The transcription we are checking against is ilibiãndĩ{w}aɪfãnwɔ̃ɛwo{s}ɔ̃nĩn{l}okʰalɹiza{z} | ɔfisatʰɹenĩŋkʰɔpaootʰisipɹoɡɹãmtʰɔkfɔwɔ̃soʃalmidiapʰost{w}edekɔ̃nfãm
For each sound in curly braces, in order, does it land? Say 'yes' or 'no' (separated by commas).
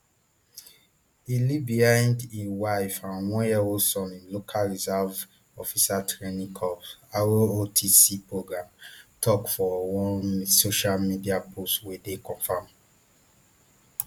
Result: yes, yes, yes, no, yes